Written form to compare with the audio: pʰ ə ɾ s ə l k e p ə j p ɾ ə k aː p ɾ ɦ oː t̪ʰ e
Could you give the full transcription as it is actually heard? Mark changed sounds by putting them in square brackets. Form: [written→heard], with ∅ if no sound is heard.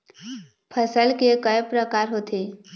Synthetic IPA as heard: pʰ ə [ɾ→∅] s ə l k e [p→k] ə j p ɾ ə k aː [p→∅] ɾ ɦ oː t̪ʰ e

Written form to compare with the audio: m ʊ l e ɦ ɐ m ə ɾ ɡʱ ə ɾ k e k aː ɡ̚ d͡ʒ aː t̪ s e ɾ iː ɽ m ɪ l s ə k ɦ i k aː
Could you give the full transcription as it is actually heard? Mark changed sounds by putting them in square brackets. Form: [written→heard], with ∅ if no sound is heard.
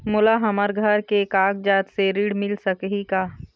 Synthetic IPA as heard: m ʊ l [e→a] ɦ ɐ m ə ɾ ɡʱ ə ɾ k e k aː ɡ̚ d͡ʒ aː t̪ s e ɾ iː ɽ m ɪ l s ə k ɦ i k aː

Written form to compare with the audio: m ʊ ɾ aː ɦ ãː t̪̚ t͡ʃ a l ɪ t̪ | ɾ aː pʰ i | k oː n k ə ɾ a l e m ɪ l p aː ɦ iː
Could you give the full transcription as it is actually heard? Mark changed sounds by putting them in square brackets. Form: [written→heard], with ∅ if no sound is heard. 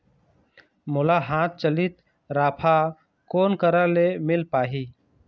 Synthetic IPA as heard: m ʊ [ɾ→l] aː ɦ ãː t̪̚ t͡ʃ [a→ə] l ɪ t̪ | ɾ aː pʰ [i→a] | k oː n k ə ɾ a l e m ɪ l p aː ɦ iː

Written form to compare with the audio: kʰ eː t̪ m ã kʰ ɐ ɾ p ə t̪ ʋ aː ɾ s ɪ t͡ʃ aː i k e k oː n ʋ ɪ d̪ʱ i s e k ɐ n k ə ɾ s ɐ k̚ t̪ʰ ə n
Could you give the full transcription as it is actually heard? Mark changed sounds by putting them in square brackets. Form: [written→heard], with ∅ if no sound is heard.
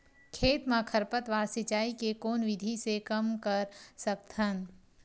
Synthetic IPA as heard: kʰ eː t̪ m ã kʰ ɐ ɾ p ə t̪ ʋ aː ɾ s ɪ t͡ʃ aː i k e k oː n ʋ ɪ d̪ʱ i s e k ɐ [n→m] k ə ɾ s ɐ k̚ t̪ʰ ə n

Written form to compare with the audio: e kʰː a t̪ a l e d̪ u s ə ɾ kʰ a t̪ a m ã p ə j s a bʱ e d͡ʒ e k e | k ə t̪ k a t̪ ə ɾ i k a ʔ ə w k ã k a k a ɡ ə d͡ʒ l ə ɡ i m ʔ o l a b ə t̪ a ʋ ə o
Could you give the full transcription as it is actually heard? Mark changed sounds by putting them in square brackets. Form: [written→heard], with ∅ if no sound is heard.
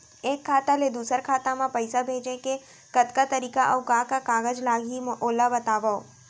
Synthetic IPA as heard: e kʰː a t̪ a l e d̪ u s ə ɾ kʰ a t̪ a m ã p ə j s a bʱ e d͡ʒ e k e | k ə t̪ k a t̪ ə ɾ i k a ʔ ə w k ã k a k a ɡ ə d͡ʒ l [ə→a] ɡ i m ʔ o l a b ə t̪ a ʋ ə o

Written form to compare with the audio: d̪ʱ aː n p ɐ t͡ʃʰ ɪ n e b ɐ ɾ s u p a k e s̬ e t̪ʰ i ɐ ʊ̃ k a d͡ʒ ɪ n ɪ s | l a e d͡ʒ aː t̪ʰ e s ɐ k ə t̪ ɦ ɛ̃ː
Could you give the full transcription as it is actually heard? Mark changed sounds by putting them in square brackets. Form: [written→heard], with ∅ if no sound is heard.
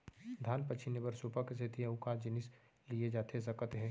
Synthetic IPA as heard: d̪ʱ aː n p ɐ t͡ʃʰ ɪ n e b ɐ ɾ s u p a k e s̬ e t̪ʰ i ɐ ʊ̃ k a d͡ʒ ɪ n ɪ s | l [a→i] e d͡ʒ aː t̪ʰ e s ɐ k ə t̪ ɦ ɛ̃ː

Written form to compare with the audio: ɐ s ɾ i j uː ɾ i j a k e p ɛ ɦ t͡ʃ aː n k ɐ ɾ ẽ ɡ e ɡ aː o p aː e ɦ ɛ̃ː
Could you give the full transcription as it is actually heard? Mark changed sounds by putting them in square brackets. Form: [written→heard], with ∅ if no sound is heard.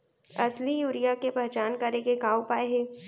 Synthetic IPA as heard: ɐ s [ɾ→l] i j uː ɾ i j a k e p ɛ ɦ t͡ʃ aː n k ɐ ɾ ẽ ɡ e ɡ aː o p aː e ɦ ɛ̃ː

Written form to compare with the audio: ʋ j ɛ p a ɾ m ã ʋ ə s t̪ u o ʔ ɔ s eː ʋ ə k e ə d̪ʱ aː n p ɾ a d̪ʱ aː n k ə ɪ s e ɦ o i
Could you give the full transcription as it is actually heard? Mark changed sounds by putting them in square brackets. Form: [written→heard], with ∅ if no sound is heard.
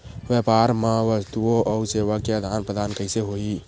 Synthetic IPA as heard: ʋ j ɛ p a ɾ m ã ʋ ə s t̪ u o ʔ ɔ s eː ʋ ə k e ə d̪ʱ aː n p ɾ [a→ə] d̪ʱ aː n k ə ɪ s e ɦ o i

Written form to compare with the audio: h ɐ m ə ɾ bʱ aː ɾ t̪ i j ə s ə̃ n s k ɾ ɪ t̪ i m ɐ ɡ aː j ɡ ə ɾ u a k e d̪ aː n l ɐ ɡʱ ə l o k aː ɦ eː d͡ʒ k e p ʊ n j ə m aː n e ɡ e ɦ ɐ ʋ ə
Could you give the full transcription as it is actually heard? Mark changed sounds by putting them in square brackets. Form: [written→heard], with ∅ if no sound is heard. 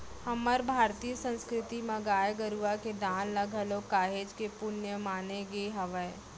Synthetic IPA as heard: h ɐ m ə ɾ bʱ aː ɾ t̪ i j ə s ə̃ n s k ɾ ɪ t̪ i m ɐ ɡ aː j ɡ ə ɾ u a k e d̪ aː n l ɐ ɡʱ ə l o k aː ɦ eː d͡ʒ k e p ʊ n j ə m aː n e ɡ e ɦ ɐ ʋ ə

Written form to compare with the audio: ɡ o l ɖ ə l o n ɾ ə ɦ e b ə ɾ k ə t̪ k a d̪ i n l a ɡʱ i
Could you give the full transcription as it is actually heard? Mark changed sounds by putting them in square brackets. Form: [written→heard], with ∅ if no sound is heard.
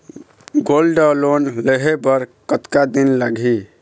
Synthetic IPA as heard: ɡ o l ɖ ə l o n [ɾ→l] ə ɦ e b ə ɾ k ə t̪ k a d̪ i n l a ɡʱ i

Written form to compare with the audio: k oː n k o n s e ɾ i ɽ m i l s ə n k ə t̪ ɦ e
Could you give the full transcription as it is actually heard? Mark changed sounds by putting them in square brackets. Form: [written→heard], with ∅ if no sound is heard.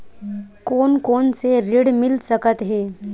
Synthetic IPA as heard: k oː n k o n s e ɾ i ɽ m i l s ə [n→∅] k ə t̪ ɦ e

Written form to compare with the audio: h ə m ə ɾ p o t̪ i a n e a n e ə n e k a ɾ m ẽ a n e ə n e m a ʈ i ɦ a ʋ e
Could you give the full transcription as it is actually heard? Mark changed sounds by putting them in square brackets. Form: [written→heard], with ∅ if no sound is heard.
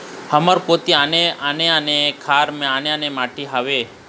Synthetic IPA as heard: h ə m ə ɾ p o t̪ i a n e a n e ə n e [k→kʰ] a ɾ m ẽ a n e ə n e m a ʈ i ɦ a ʋ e

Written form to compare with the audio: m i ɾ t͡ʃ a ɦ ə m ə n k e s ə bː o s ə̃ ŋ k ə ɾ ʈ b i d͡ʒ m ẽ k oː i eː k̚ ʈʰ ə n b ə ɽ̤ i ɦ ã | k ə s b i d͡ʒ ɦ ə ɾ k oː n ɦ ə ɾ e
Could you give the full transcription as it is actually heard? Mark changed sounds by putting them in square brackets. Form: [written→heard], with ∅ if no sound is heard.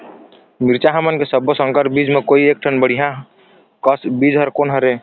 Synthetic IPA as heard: m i ɾ t͡ʃ a ɦ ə m ə n k e s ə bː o s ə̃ ŋ k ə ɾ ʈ b i d͡ʒ m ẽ k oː i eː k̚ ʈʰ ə n b ə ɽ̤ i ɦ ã | k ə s b i d͡ʒ ɦ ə ɾ k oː n ɦ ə ɾ e

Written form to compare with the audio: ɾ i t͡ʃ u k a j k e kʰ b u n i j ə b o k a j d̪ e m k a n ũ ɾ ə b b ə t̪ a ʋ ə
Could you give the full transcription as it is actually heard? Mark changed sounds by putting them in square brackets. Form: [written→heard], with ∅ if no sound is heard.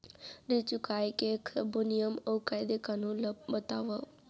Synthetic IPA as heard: ɾ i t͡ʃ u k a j k e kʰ b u n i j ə [b→m] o k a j d̪ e [m→∅] k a n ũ [ɾ→l] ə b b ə t̪ a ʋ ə

